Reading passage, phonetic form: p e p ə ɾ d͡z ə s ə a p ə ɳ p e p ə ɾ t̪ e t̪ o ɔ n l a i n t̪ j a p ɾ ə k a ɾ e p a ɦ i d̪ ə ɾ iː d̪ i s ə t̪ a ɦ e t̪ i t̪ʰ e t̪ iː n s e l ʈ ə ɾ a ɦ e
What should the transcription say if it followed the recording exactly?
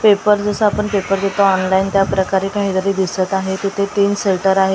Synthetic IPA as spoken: p e p ə ɾ d͡z ə s ə a p ə ɳ p e p ə ɾ d̪ e t̪ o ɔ n l a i n t̪ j a p ɾ ə k a ɾ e k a ɦ i d̪ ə ɾ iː d̪ i s ə t̪ a ɦ e t̪ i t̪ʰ e t̪ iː n s e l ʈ ə ɾ a ɦ e